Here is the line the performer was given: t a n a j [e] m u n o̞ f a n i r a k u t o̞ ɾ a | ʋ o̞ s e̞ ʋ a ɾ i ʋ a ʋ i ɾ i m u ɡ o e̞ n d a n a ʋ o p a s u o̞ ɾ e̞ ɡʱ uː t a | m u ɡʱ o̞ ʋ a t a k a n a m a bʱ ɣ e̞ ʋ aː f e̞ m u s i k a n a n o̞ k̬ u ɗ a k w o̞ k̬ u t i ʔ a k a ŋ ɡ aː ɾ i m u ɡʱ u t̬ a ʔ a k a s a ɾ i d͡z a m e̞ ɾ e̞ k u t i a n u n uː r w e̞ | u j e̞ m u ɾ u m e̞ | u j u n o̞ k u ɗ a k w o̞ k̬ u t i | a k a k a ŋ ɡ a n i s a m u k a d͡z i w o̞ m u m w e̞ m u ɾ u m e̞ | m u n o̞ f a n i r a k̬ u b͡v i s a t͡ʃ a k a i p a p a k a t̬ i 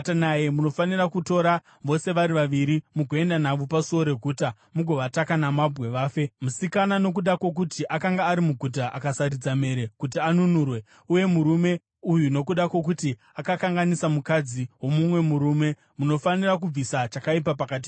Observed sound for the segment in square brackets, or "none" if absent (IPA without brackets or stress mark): e